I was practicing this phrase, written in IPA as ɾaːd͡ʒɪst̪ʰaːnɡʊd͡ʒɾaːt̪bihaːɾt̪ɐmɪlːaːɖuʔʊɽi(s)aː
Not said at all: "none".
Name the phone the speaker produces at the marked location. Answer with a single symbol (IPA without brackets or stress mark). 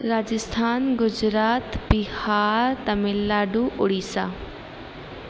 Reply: s